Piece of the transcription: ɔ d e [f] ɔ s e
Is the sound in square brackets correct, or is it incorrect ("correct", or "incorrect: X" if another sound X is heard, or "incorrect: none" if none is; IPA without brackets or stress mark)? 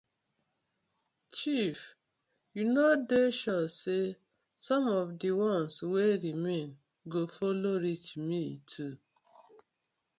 incorrect: ʃ